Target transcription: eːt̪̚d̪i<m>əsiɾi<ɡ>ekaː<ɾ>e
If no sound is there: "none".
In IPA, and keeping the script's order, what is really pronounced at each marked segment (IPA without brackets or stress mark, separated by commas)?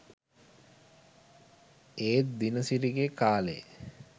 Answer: n, ɡ, l